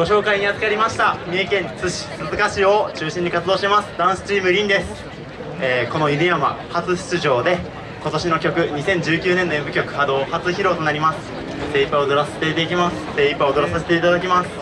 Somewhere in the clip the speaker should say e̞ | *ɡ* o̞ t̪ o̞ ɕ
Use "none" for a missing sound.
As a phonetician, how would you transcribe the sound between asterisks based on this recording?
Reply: k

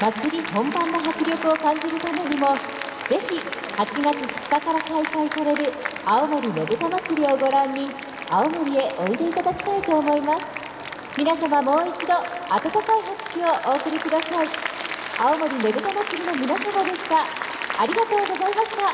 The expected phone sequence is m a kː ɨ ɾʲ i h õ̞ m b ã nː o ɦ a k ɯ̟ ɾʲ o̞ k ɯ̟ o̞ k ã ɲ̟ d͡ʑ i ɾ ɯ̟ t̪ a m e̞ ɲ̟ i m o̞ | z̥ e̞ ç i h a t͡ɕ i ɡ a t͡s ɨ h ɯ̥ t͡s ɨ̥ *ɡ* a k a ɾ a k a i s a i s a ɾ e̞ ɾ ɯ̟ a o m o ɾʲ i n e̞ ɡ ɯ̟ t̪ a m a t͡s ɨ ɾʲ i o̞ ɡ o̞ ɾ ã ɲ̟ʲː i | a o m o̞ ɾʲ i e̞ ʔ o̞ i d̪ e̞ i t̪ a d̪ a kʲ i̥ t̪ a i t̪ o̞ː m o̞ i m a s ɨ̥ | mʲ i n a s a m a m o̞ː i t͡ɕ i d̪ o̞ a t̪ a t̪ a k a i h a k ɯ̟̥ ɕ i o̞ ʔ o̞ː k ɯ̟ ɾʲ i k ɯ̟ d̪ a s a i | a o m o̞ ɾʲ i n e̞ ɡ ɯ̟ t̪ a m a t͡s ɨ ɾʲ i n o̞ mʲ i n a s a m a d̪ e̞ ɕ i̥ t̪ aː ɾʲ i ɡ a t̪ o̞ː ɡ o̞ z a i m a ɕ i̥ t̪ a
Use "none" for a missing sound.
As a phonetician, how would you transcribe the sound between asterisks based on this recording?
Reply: k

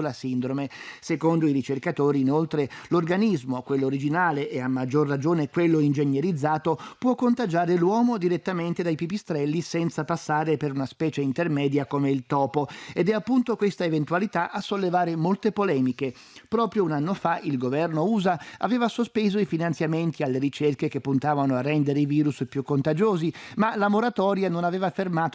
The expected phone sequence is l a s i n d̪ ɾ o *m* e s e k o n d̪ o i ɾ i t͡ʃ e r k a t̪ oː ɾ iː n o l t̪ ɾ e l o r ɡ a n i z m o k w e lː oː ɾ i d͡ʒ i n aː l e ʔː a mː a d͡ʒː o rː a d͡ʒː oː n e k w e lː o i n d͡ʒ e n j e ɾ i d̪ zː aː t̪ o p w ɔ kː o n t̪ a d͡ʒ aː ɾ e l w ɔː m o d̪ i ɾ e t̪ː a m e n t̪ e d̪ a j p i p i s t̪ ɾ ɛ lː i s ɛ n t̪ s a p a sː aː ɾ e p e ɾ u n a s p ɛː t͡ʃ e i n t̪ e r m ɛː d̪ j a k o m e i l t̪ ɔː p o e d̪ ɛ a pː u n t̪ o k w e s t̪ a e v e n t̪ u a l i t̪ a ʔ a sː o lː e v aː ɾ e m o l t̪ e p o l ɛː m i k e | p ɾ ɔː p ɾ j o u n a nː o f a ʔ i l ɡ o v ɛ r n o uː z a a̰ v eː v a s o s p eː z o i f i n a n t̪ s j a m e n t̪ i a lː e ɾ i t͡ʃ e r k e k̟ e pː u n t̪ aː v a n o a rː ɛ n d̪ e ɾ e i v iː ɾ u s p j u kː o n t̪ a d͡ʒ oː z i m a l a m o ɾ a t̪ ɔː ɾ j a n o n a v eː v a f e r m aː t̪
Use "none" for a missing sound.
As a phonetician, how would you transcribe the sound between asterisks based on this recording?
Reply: m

